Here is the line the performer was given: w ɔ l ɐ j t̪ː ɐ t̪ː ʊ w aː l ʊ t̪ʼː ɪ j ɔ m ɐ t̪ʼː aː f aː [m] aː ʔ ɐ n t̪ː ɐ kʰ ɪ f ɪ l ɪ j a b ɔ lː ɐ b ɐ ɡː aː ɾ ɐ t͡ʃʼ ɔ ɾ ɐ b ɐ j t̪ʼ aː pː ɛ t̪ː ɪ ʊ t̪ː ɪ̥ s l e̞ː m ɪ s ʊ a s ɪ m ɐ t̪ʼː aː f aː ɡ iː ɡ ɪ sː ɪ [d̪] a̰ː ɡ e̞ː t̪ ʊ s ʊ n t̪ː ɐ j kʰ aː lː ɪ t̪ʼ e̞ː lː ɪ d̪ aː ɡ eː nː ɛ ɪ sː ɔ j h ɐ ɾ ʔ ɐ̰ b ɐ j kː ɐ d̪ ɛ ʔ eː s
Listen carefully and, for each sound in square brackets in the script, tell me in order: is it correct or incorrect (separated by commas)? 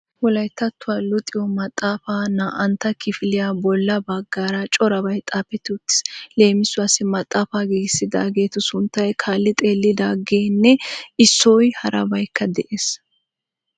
incorrect, correct